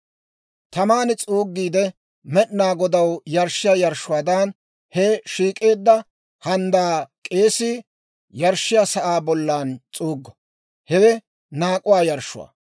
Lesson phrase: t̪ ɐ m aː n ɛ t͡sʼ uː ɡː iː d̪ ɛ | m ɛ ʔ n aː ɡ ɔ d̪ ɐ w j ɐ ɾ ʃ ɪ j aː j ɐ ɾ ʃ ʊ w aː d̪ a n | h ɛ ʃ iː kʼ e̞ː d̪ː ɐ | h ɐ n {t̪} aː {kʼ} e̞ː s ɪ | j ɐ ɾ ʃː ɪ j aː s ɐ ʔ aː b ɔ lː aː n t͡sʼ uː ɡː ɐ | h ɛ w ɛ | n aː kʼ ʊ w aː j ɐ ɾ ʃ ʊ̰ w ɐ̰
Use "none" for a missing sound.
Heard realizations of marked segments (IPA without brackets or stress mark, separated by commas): d̪, kʼ